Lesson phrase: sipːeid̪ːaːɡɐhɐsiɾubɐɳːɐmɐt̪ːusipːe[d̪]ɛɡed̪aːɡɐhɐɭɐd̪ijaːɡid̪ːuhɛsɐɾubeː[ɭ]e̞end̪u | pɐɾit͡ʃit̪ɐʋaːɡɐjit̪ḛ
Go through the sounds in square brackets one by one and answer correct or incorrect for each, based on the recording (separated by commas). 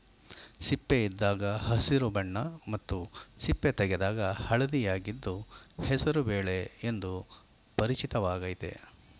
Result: incorrect, correct